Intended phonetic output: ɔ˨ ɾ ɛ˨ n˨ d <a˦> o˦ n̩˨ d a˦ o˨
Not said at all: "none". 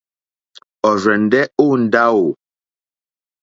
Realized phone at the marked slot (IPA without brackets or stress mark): ɛ˦